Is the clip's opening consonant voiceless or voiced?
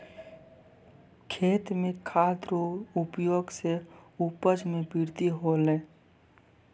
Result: voiceless